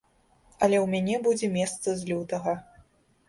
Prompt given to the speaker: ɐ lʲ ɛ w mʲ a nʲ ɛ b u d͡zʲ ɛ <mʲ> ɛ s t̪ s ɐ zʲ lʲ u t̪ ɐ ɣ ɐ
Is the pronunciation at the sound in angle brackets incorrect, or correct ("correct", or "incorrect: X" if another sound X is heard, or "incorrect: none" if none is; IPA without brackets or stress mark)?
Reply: correct